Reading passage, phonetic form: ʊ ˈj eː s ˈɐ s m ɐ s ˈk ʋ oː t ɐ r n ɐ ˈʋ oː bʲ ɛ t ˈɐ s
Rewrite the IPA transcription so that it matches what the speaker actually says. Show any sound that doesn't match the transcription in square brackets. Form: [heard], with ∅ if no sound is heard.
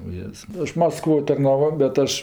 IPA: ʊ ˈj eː s ˈɐ [ʃ] m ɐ s ˈk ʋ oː t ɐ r n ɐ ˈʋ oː bʲ ɛ t ˈɐ [ʃ]